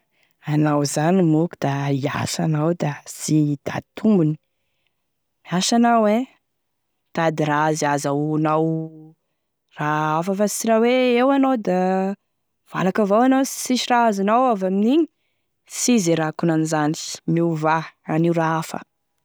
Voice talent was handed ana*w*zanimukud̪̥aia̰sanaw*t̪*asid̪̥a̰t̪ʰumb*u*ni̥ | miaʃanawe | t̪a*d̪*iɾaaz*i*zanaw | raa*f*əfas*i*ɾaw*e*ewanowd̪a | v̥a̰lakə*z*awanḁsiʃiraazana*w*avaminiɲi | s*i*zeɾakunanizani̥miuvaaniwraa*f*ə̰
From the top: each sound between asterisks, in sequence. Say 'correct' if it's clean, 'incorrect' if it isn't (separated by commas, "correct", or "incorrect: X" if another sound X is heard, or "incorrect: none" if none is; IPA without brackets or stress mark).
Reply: correct, incorrect: d̪, correct, correct, incorrect: a, correct, correct, correct, incorrect: v, correct, correct, correct